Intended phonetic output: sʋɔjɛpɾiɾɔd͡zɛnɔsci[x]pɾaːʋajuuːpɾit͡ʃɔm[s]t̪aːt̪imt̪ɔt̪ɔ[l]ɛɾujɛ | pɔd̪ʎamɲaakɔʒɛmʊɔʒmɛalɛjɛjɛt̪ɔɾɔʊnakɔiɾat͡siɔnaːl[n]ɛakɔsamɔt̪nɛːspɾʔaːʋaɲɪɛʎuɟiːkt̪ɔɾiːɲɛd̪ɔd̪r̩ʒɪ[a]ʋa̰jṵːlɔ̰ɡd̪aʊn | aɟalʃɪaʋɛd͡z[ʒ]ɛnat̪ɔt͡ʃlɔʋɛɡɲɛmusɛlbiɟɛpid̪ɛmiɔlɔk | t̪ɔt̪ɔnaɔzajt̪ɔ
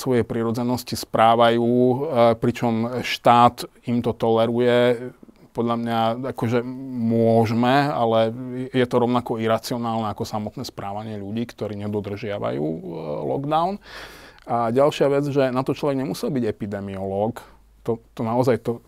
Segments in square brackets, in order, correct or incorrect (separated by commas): incorrect, incorrect, correct, correct, correct, correct